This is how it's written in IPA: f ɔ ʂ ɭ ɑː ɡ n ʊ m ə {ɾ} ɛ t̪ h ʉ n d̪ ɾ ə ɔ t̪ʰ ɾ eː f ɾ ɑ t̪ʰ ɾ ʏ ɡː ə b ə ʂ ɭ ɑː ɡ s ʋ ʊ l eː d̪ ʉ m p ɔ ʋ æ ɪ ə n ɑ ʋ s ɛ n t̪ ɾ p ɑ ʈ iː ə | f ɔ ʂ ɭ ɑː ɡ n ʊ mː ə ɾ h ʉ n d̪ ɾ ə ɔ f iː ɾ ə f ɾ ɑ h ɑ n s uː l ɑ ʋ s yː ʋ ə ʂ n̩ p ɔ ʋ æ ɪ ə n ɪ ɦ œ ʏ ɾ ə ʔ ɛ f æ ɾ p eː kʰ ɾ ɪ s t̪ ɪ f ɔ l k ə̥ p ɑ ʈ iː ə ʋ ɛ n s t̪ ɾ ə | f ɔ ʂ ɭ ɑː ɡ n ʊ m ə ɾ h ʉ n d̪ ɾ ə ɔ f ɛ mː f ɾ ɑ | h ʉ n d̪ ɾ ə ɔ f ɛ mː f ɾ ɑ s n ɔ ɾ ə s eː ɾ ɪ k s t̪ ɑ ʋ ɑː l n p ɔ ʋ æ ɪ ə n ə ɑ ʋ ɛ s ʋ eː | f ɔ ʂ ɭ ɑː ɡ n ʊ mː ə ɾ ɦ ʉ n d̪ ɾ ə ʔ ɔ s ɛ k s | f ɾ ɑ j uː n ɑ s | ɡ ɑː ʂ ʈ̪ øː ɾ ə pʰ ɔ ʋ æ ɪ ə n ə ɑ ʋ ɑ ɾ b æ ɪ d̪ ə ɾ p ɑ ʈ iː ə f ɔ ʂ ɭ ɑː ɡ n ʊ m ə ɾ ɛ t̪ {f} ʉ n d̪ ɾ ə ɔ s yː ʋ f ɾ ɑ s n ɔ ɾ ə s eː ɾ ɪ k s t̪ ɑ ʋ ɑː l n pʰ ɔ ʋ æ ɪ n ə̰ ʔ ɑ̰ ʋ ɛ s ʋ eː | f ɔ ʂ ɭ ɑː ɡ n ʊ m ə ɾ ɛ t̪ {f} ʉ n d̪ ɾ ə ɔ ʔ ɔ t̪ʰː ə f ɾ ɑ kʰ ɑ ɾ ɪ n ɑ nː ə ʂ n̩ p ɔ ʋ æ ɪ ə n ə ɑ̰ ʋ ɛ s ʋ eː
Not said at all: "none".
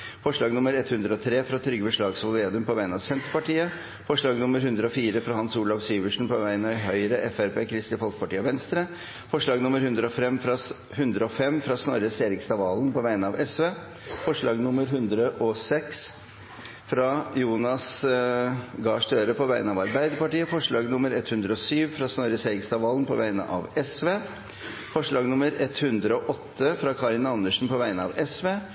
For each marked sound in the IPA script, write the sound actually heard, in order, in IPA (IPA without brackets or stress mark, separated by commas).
ɾ, h, h